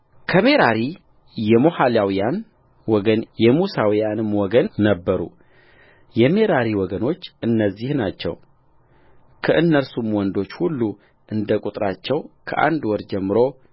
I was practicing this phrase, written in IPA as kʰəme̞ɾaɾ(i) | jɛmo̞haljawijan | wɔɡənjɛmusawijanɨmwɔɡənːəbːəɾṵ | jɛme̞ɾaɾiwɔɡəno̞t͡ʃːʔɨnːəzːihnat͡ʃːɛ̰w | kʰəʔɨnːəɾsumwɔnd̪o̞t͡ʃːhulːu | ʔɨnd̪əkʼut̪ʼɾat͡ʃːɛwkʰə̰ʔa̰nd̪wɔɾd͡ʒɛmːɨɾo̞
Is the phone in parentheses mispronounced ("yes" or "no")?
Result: no